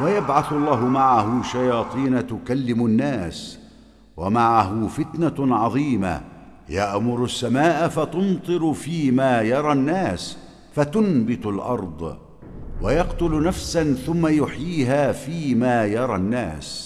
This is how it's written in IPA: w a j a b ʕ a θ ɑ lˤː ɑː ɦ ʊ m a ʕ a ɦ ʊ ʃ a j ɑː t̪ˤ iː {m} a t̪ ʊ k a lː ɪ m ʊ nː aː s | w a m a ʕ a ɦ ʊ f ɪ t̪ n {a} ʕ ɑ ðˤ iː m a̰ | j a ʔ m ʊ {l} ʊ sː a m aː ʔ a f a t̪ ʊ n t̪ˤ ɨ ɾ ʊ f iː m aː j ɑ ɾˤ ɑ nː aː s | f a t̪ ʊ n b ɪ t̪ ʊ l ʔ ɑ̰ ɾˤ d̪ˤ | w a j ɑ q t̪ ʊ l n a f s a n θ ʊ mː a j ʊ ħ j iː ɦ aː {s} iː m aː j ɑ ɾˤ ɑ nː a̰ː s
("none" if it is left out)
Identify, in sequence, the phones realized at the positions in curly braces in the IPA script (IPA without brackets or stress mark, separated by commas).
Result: n, a, ɾ, f